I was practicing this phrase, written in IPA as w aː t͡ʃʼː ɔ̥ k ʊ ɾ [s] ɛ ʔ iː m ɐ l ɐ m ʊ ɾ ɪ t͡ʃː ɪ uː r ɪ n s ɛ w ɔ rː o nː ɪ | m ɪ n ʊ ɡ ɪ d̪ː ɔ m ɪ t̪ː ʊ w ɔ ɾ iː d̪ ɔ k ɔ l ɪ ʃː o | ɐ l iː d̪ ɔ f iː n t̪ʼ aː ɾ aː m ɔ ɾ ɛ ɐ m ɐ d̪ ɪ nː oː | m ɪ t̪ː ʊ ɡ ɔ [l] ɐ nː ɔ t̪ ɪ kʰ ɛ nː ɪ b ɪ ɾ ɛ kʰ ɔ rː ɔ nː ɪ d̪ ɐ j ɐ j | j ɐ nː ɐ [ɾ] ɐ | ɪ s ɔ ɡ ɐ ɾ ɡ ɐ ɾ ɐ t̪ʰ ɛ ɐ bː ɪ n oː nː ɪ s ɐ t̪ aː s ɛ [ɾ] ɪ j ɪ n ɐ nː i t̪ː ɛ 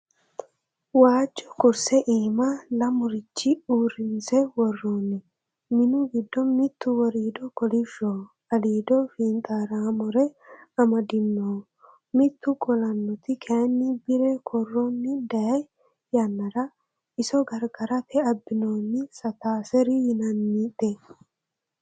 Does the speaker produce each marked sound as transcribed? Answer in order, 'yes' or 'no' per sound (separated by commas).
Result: yes, yes, yes, yes